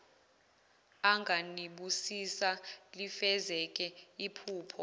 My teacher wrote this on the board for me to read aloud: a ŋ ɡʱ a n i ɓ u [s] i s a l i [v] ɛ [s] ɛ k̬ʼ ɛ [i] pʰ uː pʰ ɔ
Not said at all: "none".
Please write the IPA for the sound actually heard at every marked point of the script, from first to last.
s, f, z, i

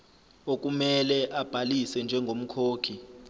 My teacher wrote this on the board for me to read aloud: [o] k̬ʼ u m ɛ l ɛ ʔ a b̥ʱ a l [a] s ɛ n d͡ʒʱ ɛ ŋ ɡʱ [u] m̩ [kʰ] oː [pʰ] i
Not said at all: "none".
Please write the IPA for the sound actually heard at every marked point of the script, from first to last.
o, i, o, kʰ, kʰ

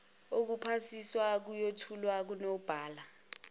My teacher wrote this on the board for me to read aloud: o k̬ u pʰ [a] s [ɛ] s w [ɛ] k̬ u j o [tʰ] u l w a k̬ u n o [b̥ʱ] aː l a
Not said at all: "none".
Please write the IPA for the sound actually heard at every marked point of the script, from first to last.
a, i, a, tʰ, b̥ʱ

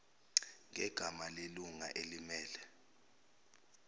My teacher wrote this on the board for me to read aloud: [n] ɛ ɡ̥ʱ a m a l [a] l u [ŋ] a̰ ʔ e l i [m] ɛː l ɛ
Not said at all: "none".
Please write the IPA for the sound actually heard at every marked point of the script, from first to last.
ŋ, e, ŋ, m

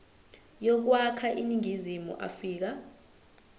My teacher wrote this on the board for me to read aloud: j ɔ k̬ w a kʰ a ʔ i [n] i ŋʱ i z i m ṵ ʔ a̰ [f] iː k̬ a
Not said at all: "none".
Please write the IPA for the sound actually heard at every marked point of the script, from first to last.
n, f

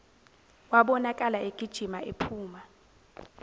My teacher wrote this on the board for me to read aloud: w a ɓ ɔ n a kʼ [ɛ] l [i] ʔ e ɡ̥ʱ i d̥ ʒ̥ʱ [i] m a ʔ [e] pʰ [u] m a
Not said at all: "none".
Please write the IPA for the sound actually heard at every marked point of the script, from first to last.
a, a, i, e, uː

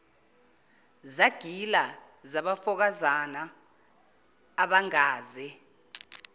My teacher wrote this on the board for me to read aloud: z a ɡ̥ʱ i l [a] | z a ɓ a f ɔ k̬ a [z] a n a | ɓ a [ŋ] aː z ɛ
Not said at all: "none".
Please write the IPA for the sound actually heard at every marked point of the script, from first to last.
a, z, ŋ

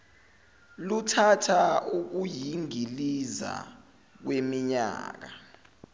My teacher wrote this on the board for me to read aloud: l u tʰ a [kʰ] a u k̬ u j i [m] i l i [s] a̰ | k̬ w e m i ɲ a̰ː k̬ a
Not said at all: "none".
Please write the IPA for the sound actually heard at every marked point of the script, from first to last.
tʰ, ŋ, z

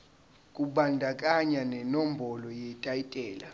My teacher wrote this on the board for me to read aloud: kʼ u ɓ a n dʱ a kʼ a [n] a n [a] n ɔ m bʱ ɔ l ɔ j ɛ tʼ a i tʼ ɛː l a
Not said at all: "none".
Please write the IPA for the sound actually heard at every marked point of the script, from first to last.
ɲ, ɛ

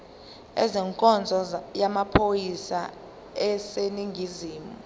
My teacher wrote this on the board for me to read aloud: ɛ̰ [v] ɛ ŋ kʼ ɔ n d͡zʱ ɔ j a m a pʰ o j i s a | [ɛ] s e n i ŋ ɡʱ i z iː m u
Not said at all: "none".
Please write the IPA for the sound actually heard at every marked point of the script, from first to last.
z, ɛ

